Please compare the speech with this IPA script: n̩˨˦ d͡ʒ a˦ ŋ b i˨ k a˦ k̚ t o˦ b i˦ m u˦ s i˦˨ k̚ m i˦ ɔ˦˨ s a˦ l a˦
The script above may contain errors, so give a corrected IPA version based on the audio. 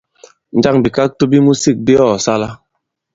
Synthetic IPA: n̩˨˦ d͡ʒ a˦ ŋ b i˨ k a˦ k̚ t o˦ b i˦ m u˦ s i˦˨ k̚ b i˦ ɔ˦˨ s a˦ l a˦